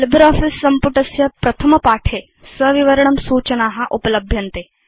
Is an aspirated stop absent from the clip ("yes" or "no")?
no